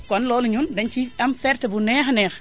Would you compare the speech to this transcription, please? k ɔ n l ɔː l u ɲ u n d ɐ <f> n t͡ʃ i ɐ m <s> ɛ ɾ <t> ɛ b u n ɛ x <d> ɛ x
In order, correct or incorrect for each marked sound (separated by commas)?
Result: incorrect, incorrect, correct, incorrect